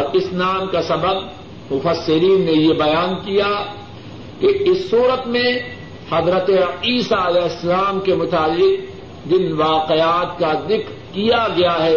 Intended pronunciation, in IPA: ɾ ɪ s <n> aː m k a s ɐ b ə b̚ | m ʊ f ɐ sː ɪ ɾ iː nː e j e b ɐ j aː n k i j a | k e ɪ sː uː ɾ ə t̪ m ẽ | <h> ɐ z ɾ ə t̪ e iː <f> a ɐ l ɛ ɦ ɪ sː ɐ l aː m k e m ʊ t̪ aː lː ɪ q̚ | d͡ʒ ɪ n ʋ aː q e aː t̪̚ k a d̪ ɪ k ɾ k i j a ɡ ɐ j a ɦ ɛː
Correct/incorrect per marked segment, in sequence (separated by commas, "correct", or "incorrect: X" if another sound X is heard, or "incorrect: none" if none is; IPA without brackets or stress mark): correct, correct, incorrect: s